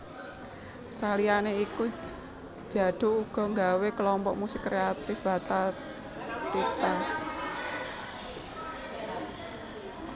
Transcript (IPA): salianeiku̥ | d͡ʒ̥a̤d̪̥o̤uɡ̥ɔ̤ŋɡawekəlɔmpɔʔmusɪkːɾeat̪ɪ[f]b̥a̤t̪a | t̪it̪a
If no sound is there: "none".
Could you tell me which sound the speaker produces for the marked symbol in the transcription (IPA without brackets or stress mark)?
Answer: f